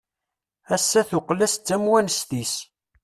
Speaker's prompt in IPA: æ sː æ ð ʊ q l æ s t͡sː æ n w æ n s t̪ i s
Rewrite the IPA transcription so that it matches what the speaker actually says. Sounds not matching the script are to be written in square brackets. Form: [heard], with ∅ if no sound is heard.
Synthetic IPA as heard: æ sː æ [θ] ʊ q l æ s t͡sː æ [m] w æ n s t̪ i s